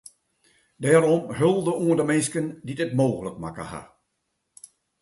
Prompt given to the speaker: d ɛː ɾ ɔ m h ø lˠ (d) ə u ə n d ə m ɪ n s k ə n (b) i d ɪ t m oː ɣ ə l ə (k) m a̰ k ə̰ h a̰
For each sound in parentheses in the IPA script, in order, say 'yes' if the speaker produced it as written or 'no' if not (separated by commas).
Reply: yes, no, yes